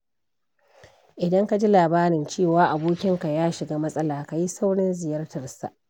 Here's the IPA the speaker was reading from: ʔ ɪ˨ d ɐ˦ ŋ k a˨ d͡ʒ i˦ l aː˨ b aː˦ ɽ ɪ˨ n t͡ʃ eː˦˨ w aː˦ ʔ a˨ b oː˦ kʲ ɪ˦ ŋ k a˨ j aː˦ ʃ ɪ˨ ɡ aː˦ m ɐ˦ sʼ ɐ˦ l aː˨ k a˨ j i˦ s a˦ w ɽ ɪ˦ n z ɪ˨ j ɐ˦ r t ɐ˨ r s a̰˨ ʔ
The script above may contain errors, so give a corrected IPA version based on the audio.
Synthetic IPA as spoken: ʔ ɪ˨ d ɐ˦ ŋ k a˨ d͡ʒ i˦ l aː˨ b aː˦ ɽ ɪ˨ n t͡ʃ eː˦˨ w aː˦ ʔ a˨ b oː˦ kʲ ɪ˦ ŋ k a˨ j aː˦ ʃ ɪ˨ ɡ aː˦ m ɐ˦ sʼ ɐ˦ l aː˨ k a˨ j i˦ s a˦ w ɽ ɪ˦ n z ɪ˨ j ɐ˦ r t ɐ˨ r s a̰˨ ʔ